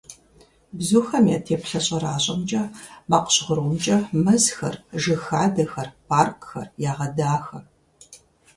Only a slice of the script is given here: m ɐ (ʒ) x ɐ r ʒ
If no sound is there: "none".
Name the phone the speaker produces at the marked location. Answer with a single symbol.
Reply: z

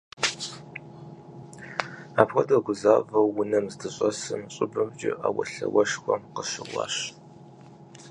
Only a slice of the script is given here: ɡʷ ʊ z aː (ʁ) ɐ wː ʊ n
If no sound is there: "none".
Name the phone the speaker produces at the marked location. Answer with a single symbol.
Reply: v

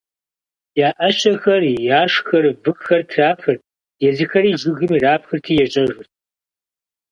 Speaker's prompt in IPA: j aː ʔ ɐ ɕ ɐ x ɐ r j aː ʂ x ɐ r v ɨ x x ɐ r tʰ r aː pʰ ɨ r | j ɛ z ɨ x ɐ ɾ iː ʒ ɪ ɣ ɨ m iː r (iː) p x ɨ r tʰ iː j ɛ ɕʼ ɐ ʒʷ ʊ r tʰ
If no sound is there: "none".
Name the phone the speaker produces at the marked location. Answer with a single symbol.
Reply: aː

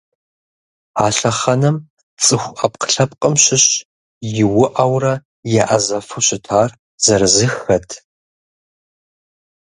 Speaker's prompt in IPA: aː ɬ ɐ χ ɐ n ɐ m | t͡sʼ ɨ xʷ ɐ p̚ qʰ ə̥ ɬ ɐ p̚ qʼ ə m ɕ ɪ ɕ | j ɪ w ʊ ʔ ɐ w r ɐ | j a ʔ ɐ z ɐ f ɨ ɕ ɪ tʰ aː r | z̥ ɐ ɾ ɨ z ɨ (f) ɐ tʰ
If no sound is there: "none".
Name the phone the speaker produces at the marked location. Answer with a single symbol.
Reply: x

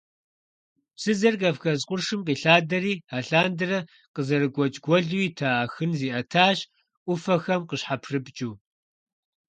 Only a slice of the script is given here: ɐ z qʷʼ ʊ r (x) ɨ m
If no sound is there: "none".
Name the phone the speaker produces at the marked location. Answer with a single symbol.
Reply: ʂ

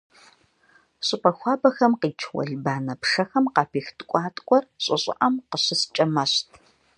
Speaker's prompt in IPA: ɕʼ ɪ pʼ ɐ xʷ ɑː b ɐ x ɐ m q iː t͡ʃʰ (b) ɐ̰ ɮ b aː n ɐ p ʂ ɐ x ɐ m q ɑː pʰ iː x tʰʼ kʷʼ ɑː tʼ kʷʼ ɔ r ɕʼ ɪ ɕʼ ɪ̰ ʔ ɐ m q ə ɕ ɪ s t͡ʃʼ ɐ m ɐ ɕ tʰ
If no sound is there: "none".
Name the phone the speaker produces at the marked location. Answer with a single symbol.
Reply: w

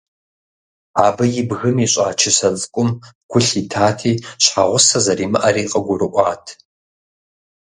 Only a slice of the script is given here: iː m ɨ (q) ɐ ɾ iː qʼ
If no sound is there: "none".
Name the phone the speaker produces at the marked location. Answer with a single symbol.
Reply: ʔ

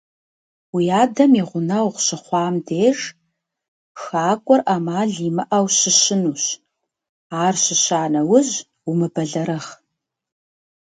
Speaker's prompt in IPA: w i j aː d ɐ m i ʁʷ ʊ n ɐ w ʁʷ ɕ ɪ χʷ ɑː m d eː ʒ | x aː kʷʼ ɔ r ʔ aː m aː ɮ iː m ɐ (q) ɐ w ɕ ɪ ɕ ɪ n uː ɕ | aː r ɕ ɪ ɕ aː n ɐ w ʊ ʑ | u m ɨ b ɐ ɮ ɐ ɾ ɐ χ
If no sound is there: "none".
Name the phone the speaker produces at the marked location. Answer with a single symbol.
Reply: ʔ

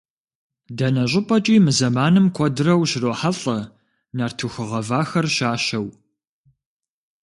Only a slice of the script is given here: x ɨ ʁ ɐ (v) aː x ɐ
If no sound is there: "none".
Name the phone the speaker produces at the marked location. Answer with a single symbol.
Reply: v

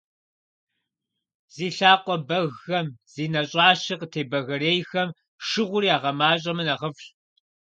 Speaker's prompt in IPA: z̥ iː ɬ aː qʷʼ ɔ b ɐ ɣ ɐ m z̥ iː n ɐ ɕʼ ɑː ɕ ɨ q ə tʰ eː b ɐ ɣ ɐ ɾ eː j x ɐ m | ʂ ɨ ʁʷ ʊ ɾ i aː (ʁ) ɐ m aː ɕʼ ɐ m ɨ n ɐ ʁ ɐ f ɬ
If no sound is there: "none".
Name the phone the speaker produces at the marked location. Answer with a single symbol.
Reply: ʁ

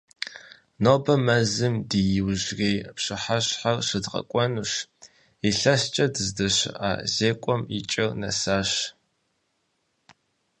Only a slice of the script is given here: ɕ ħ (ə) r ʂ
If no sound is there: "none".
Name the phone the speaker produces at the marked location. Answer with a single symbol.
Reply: a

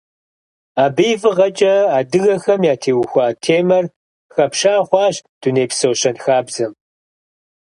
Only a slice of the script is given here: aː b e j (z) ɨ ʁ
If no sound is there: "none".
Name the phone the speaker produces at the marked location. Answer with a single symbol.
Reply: v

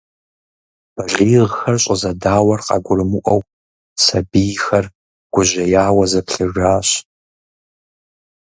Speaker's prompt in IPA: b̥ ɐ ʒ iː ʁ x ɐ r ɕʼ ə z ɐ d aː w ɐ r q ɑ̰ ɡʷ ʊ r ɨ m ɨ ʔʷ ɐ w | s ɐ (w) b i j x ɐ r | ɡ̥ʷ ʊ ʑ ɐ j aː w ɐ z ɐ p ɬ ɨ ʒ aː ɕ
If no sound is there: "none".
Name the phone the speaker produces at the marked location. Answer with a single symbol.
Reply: none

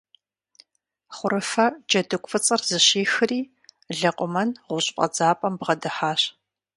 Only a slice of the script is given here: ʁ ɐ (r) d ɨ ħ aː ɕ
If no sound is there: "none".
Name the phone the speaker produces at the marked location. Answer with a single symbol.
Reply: none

